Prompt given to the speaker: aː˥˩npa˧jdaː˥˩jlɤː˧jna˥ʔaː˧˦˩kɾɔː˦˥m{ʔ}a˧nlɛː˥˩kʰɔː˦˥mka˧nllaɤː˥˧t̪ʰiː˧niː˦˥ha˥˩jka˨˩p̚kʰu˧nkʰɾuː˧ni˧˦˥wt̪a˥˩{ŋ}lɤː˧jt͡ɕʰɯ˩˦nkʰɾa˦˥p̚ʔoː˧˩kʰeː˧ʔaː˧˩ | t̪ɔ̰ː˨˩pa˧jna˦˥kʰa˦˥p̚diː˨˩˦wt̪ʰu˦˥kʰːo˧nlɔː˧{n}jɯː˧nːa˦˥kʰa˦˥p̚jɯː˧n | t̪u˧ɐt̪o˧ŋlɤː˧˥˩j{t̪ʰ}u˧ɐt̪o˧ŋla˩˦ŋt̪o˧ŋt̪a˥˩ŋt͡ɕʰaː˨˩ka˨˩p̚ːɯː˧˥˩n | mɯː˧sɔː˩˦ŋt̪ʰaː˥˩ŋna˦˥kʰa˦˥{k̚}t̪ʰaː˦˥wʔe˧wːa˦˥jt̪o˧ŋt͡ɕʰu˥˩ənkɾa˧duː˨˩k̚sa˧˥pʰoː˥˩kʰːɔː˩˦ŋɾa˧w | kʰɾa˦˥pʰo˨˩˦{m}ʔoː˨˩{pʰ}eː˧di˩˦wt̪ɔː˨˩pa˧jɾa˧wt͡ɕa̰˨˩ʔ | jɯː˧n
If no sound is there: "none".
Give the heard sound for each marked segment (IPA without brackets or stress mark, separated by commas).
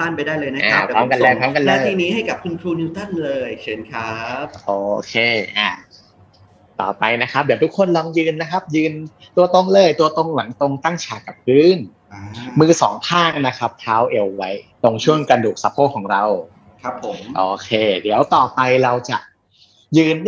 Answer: k, n, ŋ, t̪, p̚, m, kʰ